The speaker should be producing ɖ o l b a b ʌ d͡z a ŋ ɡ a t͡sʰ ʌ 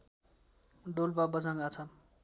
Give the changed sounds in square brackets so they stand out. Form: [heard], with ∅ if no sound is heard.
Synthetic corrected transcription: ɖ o l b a b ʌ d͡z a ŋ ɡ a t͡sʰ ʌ